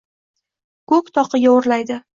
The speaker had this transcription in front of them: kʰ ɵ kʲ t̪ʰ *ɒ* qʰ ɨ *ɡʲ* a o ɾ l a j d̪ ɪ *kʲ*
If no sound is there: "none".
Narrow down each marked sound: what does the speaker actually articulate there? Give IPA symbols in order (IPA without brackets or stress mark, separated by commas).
ɒ, ɡʲ, none